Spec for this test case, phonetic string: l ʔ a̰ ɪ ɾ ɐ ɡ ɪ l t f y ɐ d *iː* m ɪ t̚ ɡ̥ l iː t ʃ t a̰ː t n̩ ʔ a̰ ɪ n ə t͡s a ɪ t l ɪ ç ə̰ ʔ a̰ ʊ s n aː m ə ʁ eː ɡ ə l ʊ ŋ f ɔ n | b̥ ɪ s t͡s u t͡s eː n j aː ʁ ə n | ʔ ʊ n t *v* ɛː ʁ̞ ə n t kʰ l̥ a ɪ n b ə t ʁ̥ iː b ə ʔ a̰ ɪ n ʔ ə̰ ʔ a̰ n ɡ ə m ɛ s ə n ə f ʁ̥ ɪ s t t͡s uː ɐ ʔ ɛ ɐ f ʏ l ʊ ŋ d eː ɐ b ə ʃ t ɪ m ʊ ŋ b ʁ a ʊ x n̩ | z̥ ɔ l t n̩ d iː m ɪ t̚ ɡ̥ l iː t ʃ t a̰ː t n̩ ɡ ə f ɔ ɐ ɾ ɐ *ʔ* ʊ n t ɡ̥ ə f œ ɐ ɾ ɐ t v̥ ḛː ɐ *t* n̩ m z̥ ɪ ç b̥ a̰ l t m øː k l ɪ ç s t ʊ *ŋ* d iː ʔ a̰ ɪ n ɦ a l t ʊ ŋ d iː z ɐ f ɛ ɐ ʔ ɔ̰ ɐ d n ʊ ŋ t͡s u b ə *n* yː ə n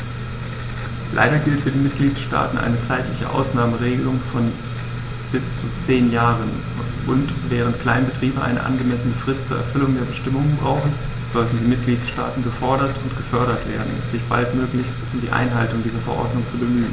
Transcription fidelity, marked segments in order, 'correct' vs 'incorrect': correct, correct, incorrect, incorrect, incorrect, incorrect

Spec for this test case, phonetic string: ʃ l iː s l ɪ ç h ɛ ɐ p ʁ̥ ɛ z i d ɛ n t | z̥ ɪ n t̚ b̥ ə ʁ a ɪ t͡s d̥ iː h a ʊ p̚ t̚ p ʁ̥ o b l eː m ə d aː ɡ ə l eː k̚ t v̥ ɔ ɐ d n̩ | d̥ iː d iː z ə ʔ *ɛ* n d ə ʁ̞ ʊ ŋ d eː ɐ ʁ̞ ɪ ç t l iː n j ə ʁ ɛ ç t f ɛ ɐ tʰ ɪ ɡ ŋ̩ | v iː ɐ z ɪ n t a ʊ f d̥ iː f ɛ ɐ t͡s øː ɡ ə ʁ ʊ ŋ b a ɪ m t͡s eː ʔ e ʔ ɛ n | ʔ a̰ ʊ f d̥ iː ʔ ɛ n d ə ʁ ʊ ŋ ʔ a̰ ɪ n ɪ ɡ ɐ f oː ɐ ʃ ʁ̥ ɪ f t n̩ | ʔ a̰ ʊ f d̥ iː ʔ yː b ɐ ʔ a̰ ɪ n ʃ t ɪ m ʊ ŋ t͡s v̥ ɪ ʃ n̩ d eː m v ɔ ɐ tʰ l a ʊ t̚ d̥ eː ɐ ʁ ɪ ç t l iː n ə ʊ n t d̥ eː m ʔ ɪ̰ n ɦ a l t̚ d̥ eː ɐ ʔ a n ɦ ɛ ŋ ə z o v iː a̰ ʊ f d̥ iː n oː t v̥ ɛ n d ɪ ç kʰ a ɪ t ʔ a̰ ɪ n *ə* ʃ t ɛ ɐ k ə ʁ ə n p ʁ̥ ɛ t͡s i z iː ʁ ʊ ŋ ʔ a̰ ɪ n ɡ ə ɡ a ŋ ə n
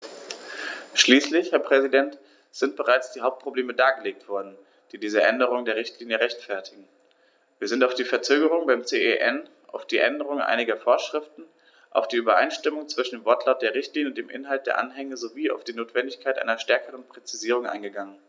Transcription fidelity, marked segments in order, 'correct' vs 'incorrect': correct, incorrect

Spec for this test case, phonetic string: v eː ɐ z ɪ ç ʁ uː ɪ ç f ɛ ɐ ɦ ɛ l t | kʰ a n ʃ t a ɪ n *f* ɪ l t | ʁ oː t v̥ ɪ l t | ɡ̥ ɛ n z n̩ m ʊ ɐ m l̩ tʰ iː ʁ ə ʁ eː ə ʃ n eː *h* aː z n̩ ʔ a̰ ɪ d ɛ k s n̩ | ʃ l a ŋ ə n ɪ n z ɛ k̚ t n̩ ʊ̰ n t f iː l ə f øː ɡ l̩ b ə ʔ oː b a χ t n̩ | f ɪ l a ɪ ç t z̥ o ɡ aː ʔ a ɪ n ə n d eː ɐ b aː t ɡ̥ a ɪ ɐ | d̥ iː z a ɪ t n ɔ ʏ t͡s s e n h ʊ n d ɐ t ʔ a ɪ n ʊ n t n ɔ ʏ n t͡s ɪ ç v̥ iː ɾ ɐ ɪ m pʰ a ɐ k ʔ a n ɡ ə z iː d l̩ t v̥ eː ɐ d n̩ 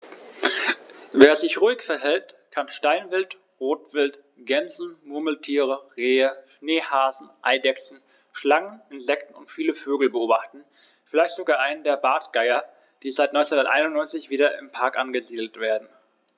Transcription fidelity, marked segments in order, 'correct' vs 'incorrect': incorrect, correct

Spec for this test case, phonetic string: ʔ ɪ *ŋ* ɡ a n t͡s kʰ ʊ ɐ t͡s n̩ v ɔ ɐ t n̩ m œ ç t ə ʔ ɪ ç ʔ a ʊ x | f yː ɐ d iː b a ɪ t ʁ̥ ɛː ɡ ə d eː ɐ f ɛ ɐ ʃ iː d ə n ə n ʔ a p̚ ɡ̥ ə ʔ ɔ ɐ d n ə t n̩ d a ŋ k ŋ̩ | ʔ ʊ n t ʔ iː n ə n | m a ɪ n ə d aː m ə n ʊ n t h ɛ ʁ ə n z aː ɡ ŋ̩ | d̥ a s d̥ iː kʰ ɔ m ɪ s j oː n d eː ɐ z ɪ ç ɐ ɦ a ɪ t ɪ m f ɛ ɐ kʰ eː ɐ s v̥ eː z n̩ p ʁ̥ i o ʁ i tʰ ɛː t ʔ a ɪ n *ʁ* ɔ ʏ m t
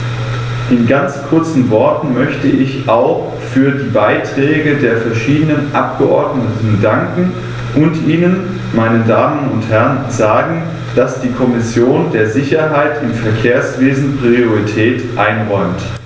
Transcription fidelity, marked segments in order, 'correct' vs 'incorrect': incorrect, correct

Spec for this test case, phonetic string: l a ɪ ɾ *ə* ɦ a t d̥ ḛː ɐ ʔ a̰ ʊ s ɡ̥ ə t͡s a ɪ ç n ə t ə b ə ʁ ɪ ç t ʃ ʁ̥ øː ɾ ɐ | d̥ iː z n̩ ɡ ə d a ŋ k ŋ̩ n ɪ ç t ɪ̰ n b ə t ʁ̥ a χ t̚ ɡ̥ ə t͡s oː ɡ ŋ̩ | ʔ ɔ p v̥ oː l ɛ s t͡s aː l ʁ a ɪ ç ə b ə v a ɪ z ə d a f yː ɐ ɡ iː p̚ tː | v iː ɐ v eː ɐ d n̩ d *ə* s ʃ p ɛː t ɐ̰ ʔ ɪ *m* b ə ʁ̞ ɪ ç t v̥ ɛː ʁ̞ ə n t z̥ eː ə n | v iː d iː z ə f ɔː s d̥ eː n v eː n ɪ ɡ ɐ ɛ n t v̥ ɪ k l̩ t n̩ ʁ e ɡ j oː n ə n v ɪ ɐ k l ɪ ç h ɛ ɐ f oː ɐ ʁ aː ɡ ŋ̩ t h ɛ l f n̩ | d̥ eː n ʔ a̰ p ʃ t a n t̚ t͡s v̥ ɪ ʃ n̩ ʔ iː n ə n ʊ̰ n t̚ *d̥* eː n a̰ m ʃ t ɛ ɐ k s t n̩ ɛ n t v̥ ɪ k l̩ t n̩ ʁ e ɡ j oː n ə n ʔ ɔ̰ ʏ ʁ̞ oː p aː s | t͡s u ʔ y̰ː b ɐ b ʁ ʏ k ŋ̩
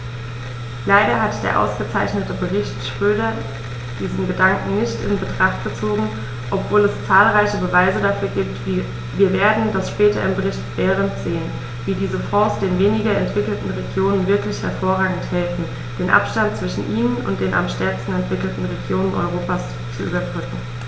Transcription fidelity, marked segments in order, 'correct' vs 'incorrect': incorrect, incorrect, correct, correct

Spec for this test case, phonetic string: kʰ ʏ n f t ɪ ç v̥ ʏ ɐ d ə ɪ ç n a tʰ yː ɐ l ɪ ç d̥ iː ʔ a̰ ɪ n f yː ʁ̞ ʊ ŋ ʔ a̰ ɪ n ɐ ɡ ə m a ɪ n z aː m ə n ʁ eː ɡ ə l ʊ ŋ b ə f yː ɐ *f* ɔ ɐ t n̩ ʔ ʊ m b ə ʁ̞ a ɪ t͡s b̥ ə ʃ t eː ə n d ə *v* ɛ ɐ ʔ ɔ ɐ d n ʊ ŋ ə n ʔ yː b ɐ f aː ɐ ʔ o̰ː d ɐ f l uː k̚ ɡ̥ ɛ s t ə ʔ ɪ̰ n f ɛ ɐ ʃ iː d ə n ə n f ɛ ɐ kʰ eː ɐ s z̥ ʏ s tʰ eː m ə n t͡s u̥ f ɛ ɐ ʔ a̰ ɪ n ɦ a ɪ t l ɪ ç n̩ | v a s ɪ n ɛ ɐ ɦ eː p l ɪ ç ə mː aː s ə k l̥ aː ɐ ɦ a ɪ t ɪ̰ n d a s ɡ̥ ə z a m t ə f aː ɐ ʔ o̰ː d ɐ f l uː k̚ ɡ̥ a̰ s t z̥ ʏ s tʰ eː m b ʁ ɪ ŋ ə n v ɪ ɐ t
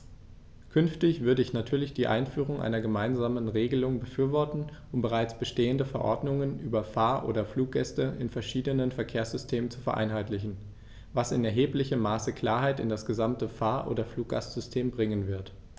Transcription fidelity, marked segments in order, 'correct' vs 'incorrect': incorrect, incorrect

